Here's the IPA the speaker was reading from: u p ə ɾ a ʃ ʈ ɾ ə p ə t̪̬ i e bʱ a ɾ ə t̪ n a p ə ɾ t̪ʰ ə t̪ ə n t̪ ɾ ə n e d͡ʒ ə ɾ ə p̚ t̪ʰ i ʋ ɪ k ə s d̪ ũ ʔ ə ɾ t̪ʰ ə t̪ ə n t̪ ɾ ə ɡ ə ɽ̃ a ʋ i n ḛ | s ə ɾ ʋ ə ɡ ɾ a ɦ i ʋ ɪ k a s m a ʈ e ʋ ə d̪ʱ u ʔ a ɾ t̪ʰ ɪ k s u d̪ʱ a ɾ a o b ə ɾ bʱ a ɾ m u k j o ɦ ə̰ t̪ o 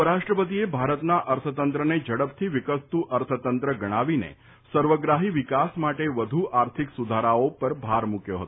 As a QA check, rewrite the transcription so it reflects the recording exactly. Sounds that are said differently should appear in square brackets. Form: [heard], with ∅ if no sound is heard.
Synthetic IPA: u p ə ɾ a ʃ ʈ ɾ ə p ə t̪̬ i e bʱ a ɾ ə t̪ n a [ʔ] ə ɾ t̪ʰ ə t̪ ə n t̪ ɾ ə n e d͡ʒ ə [ɽ] ə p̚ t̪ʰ i ʋ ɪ k ə s [t̪] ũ ʔ ə ɾ t̪ʰ ə t̪ ə n t̪ ɾ ə ɡ ə ɽ̃ a ʋ i n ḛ | s ə ɾ ʋ ə ɡ ɾ a ɦ i ʋ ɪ k a s m a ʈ e ʋ ə d̪ʱ u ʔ a ɾ t̪ʰ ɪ k s u d̪ʱ a ɾ a o [p] ə ɾ bʱ a ɾ m u k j o ɦ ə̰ t̪ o